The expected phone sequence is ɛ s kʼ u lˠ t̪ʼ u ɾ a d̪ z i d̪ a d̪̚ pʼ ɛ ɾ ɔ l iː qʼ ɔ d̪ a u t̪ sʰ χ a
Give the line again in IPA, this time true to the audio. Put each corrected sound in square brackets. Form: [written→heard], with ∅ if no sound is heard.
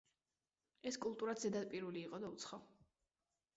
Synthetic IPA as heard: ɛ s kʼ u lˠ t̪ʼ u ɾ a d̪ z [i→ɛ] d̪ a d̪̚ pʼ [ɛ→i] ɾ [ɔ→u] l iː qʼ ɔ d̪ a u t̪ sʰ χ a

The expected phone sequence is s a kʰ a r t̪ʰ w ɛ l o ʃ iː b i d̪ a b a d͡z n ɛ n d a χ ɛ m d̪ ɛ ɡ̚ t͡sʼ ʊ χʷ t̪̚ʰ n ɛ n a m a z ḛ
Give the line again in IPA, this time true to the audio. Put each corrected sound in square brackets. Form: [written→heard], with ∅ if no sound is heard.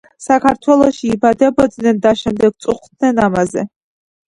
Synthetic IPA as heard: s a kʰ a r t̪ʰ w ɛ l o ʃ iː b [i→a] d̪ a b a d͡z n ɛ n d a [χ→ʃ] ɛ m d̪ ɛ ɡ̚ t͡sʼ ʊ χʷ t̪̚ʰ n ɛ n a m a z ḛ

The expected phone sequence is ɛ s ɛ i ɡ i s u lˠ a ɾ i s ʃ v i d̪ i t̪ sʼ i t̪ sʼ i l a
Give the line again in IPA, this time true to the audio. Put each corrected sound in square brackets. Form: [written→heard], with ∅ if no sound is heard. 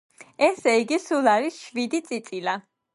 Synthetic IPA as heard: ɛ s ɛ i ɡ i s u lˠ a ɾ i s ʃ v i d̪ i t̪ sʼ i t̪ sʼ i l a

